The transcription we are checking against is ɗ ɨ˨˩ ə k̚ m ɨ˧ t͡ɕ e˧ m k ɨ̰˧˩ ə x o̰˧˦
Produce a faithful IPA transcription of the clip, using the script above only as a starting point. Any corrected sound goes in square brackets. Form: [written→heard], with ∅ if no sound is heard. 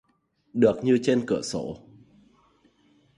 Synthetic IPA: ɗ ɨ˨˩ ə k̚ [m→ɲ] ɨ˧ t͡ɕ e˧ [m→n] k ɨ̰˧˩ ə [x→s] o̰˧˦